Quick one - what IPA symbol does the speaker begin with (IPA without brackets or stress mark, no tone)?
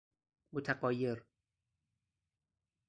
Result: m